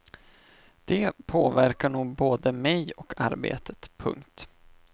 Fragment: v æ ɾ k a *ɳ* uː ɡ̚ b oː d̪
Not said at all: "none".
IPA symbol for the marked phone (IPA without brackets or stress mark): ɳ